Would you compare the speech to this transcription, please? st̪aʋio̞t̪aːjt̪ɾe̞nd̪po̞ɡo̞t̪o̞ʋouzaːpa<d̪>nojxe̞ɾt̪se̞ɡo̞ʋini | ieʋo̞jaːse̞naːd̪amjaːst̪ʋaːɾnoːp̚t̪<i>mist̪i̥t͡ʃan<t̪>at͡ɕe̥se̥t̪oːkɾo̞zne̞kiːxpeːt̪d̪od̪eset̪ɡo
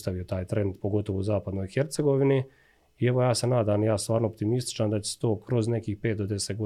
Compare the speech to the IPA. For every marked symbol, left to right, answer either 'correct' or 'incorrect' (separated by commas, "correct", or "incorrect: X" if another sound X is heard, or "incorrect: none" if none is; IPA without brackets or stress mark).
correct, correct, incorrect: d̪